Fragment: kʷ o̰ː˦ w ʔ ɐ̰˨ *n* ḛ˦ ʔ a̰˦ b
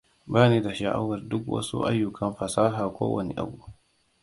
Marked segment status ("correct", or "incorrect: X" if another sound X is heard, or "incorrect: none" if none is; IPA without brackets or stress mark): correct